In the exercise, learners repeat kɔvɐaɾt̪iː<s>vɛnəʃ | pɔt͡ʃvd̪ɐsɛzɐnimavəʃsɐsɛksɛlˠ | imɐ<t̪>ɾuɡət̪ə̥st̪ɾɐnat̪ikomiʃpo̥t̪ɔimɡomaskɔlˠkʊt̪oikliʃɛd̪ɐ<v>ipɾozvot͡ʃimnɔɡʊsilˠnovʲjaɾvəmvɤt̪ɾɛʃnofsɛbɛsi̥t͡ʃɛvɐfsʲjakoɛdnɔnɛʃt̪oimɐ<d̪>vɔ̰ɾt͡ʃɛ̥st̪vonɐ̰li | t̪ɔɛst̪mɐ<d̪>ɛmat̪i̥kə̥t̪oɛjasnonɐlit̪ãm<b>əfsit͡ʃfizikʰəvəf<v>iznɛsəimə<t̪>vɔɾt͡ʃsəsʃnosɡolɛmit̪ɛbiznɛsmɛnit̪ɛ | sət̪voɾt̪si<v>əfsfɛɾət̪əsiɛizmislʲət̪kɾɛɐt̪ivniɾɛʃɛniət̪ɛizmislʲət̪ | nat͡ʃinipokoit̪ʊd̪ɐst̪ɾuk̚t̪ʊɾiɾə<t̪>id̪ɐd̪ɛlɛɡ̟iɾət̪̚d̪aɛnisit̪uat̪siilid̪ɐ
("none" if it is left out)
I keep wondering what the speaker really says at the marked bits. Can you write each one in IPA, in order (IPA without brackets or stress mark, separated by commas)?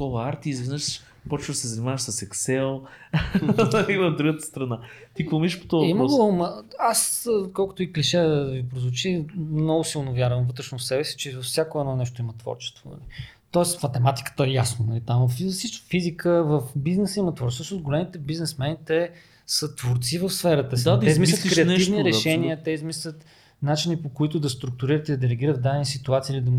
z, d̪, v, t̪, t̪, v, b, t̪, v, t̪